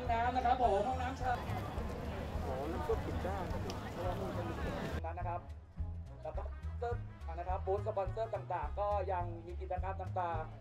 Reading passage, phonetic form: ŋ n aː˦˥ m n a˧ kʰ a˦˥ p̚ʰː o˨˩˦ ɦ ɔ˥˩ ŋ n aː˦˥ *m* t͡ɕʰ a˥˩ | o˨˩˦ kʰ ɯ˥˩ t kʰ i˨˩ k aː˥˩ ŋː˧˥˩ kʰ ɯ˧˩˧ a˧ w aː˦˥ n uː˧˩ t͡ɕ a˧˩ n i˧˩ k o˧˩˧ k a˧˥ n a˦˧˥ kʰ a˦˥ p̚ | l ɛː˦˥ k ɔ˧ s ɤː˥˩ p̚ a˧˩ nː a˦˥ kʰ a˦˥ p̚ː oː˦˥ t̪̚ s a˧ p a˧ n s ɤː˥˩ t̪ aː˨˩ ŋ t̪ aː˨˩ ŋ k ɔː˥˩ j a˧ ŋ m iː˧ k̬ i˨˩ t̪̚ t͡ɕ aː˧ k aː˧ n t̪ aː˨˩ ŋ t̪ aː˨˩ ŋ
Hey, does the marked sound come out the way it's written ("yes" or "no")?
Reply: yes